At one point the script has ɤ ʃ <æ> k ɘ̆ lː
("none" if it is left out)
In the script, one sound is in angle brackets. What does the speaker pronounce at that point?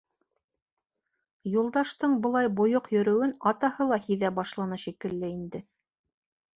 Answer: i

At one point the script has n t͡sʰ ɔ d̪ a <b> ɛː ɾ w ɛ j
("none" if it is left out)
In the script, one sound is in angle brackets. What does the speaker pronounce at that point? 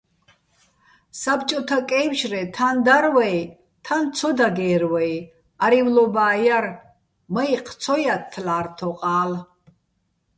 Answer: ɡ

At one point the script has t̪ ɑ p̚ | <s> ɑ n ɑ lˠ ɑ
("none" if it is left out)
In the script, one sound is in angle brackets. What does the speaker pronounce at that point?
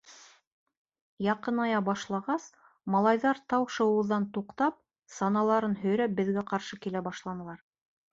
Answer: s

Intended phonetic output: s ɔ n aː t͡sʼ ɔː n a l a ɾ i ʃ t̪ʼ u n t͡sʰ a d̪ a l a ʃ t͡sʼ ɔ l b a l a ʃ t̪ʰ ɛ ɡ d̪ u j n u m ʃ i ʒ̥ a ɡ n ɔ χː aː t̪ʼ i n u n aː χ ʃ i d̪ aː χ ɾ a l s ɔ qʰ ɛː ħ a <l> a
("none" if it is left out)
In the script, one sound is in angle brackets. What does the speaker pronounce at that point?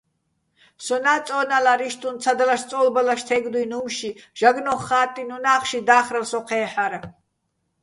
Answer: ɾ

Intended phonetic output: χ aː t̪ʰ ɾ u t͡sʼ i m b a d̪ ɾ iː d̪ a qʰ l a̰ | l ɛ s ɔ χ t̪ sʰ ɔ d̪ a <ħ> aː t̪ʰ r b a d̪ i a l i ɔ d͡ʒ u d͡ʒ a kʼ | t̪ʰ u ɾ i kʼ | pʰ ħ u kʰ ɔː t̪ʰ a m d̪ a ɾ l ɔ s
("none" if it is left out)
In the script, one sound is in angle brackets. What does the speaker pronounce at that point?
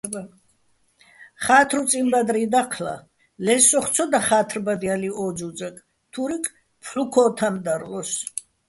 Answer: χ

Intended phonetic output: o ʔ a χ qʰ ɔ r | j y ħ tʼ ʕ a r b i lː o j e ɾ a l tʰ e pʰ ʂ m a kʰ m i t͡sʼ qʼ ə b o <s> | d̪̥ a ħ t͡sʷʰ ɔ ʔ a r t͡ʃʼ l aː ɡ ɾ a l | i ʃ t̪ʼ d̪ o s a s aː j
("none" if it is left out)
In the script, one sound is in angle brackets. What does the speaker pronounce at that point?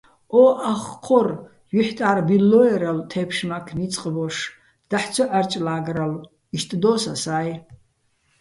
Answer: ʂ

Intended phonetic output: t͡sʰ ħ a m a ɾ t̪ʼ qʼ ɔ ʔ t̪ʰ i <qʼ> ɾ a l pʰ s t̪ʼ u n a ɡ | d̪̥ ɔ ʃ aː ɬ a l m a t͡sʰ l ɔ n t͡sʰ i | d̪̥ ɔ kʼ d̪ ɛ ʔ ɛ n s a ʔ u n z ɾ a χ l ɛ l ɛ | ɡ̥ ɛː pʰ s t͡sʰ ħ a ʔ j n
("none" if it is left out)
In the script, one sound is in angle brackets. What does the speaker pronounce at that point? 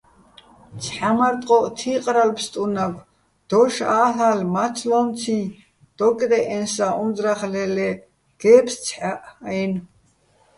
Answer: qʼ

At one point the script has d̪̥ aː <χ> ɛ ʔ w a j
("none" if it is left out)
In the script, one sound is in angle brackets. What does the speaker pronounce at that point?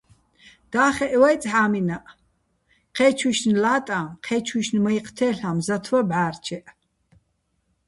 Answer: χ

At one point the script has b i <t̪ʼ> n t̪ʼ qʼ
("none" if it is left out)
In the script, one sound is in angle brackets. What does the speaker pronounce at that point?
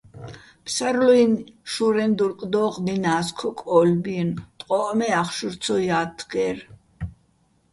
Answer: none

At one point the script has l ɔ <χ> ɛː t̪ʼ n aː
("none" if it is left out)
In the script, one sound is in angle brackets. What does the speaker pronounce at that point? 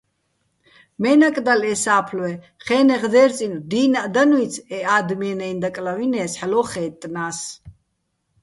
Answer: χ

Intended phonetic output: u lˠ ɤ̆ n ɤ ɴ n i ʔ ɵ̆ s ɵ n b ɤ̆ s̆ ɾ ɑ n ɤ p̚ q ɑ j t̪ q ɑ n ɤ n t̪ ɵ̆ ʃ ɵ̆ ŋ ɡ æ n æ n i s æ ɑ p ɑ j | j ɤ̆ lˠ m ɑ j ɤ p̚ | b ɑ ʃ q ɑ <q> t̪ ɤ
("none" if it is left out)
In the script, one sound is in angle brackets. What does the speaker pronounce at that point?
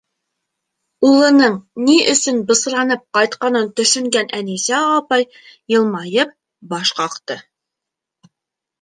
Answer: q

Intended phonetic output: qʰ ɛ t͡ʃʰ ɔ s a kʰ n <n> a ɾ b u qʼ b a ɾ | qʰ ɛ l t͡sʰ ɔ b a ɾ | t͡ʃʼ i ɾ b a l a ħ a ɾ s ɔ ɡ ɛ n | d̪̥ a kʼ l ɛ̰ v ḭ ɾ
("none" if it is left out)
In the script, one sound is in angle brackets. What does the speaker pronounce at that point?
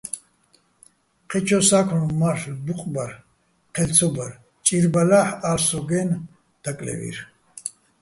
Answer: m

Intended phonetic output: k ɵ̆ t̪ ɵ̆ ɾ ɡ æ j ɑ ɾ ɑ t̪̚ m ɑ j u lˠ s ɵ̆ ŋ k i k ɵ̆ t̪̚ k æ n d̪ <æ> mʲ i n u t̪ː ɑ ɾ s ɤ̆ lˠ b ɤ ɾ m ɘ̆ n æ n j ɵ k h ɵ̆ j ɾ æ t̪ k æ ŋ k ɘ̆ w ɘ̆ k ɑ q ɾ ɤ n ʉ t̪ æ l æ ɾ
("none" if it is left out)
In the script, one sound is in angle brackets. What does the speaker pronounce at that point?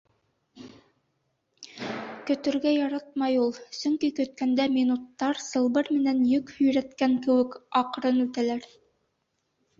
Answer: æ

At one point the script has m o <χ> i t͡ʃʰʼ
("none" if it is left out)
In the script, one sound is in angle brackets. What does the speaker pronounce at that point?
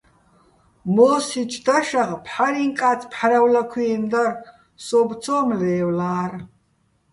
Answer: s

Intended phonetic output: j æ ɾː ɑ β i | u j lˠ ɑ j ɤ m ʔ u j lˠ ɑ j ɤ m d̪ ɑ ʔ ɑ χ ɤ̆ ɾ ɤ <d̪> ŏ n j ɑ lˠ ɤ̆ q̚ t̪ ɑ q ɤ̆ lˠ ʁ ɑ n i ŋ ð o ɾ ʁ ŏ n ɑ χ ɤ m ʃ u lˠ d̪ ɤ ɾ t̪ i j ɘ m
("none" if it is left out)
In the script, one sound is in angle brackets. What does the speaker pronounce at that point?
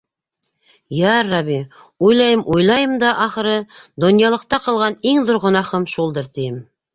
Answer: d̪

